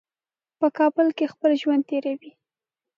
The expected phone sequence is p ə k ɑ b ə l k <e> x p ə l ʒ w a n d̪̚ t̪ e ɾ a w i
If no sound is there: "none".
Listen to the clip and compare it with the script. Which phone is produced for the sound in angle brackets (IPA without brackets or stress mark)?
e